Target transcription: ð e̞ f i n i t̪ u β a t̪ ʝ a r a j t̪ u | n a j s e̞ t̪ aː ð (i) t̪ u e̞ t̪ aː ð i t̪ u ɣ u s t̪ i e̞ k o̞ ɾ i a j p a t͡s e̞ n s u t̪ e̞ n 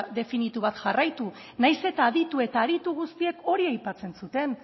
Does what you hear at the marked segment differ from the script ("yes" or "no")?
no